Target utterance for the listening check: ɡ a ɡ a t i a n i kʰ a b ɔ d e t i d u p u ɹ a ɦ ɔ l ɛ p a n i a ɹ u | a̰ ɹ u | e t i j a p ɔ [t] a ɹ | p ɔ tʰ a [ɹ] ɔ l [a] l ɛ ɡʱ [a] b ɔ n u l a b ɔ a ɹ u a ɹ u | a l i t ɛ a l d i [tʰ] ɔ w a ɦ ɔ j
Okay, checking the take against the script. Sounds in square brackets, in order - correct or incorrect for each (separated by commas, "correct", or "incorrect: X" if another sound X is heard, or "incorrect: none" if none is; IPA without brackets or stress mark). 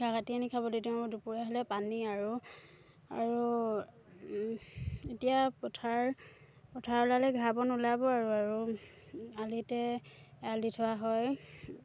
incorrect: tʰ, correct, correct, correct, correct